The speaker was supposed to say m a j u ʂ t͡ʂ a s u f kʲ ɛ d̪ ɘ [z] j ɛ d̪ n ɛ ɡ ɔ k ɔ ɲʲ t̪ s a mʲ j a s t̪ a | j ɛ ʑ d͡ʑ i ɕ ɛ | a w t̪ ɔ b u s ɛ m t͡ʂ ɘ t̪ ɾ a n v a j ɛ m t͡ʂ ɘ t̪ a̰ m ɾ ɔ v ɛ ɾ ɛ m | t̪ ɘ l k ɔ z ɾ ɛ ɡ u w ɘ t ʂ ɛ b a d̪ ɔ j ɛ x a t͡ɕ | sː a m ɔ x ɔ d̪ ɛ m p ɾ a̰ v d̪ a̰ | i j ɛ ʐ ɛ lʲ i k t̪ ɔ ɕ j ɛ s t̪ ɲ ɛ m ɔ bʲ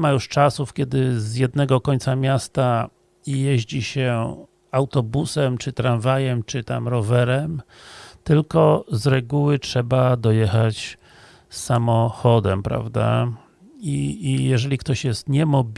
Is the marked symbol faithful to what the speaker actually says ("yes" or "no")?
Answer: yes